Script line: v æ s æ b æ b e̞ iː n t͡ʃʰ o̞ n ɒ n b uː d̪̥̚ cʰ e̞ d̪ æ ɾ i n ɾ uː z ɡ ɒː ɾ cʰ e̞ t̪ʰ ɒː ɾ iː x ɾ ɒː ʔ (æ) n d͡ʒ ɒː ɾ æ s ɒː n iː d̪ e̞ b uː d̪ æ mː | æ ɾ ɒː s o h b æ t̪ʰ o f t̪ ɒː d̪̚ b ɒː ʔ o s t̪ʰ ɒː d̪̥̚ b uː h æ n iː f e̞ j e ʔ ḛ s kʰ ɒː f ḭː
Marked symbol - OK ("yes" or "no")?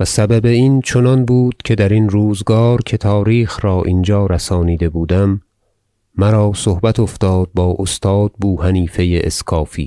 no